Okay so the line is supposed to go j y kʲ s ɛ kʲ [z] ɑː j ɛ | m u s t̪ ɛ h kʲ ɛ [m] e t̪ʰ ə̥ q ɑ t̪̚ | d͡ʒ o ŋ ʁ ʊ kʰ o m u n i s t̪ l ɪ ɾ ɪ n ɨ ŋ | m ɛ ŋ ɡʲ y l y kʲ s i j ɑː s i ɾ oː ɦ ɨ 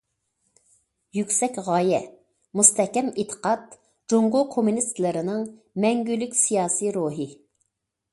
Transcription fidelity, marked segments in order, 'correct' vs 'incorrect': incorrect, correct

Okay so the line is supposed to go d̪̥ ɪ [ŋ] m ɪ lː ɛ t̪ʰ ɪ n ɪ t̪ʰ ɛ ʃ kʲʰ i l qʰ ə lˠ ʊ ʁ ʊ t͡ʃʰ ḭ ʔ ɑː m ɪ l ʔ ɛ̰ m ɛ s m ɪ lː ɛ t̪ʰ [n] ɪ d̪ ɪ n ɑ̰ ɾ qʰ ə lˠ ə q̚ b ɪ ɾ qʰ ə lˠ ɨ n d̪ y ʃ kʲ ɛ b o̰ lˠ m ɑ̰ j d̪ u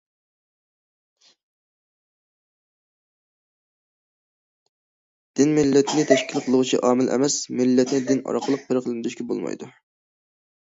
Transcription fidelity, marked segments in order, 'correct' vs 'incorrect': incorrect, correct

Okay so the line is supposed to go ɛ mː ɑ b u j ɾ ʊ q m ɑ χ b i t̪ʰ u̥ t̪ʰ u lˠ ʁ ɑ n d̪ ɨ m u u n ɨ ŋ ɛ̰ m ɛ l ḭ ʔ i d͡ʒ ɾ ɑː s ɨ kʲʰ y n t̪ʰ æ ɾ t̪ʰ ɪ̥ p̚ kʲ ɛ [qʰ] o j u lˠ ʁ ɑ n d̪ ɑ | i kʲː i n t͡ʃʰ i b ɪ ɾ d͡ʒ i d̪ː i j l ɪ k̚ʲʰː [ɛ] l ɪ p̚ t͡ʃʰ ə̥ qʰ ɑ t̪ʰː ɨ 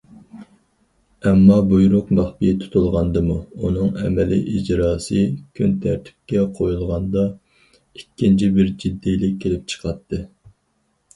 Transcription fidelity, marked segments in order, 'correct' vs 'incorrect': correct, incorrect

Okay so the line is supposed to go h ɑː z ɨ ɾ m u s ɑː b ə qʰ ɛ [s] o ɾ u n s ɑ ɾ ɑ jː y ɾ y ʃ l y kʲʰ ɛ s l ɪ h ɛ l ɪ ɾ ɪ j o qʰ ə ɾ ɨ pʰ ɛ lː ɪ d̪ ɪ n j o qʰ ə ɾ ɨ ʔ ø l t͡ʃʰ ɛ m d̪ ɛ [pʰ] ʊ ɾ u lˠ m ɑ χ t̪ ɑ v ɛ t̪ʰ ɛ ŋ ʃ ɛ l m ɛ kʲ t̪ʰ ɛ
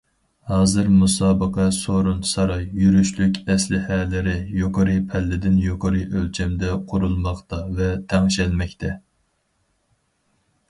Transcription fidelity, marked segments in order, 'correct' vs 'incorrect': correct, incorrect

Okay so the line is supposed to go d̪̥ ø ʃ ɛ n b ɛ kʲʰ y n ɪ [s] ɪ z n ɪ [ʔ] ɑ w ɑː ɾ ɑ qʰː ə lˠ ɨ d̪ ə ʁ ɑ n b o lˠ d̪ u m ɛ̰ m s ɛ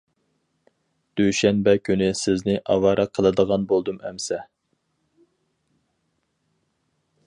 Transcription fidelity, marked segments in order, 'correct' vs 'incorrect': correct, correct

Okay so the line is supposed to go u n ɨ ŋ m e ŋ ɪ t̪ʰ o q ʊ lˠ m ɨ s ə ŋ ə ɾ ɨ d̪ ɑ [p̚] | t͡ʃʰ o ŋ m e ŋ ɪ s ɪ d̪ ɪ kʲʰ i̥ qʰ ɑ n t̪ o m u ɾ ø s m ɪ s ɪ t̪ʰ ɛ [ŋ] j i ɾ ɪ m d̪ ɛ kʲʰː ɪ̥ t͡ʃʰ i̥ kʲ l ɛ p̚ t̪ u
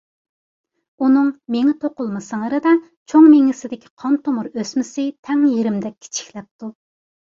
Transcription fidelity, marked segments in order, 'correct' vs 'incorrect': incorrect, correct

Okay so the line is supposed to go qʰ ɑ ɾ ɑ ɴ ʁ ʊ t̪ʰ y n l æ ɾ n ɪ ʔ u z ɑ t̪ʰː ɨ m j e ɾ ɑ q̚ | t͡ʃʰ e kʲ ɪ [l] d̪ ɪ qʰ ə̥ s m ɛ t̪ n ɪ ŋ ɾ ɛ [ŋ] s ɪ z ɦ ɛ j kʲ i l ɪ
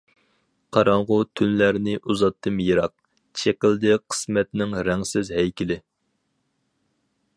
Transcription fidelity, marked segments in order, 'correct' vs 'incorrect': correct, correct

